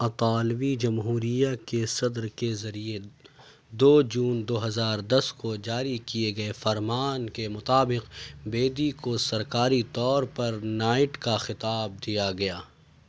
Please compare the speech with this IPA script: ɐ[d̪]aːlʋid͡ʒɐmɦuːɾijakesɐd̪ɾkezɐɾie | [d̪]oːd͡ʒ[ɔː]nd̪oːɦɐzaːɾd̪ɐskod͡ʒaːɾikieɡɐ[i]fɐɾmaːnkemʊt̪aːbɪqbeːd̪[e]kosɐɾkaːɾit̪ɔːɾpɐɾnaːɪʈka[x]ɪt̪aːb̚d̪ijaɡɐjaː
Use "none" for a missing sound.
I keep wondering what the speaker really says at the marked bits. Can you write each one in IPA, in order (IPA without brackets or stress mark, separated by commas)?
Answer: t̪, d̪, uː, e, i, x